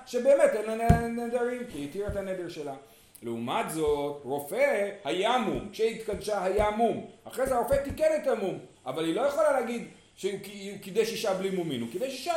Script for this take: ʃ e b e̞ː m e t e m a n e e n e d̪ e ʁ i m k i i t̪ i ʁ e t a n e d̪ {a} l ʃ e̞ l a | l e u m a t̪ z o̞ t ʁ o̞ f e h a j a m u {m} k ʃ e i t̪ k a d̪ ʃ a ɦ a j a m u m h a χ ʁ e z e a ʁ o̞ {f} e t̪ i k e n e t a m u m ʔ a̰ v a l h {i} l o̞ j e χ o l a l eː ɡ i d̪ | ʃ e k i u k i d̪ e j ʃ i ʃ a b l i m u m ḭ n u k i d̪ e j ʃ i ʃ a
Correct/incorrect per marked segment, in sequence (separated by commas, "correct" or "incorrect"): incorrect, correct, correct, correct